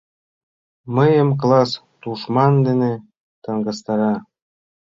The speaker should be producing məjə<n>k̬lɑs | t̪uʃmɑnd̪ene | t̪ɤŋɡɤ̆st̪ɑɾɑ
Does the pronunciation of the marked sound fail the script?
yes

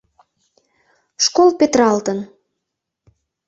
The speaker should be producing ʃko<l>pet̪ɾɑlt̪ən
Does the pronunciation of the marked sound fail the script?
no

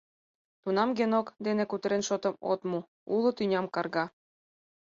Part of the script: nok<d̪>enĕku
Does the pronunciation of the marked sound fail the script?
no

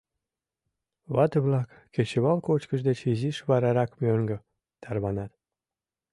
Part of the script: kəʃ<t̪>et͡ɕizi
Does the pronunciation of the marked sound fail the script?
yes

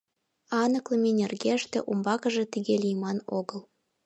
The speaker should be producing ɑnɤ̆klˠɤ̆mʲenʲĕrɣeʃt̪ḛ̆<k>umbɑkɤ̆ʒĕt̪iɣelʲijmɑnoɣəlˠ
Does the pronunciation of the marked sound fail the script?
yes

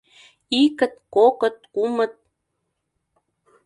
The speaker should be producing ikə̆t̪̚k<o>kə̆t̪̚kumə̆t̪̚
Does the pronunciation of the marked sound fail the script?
no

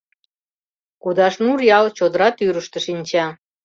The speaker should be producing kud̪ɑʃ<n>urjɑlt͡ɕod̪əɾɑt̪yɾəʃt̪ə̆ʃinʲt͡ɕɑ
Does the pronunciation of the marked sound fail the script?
no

